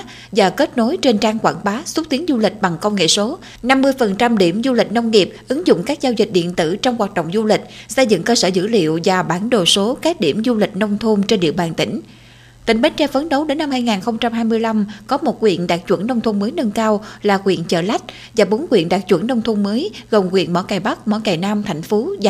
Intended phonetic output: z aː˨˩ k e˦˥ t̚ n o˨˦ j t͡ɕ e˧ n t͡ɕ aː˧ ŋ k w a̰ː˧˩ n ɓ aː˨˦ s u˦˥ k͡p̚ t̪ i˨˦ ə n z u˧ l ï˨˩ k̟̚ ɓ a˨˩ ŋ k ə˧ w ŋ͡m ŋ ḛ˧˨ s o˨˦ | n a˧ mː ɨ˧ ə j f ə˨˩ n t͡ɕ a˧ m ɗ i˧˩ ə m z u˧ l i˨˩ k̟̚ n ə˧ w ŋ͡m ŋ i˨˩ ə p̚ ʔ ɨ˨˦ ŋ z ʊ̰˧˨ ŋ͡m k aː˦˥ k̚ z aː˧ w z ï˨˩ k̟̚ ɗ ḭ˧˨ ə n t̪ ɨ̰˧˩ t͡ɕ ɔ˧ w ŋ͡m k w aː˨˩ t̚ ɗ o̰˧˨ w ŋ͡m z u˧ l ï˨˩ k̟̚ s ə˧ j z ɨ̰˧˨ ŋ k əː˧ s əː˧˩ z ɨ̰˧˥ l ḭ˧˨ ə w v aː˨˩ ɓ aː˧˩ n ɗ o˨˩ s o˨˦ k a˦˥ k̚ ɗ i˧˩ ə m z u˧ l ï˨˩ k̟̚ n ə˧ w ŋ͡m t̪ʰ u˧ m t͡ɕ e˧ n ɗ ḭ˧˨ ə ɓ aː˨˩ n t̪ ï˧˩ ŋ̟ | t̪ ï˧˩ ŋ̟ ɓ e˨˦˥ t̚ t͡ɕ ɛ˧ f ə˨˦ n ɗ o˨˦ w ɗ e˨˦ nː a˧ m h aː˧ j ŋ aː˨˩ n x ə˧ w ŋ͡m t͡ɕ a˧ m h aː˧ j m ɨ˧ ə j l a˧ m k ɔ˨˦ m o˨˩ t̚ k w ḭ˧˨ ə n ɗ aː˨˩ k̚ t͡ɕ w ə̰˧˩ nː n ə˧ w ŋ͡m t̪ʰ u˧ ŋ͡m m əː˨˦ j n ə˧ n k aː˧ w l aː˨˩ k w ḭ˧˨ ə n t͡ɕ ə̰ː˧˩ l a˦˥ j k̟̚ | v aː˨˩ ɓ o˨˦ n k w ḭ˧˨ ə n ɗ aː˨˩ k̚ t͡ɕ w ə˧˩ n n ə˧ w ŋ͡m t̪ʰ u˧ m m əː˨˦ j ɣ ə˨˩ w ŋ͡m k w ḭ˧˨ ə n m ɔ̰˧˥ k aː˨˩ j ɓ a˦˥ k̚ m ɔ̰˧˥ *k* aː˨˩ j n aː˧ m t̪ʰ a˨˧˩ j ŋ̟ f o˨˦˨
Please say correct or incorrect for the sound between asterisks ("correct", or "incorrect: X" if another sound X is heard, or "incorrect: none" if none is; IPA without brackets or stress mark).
correct